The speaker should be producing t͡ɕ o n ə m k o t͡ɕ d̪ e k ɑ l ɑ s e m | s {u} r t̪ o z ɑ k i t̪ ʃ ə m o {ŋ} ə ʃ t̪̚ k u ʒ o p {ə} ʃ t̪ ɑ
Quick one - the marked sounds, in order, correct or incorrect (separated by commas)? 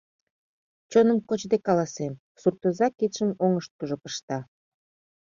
correct, correct, correct